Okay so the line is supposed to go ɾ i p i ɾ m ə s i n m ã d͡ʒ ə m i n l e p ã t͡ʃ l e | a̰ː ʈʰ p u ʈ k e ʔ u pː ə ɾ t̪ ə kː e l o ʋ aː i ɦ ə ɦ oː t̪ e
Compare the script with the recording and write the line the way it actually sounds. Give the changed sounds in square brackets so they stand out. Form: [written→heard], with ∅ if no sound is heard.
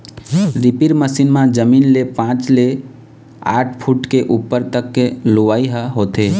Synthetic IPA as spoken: ɾ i p i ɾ m ə s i n m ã d͡ʒ ə m i n l e p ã t͡ʃ l e | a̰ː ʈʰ [p→pʰ] u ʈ k e ʔ u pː ə ɾ t̪ ə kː e l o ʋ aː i ɦ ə ɦ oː t̪ e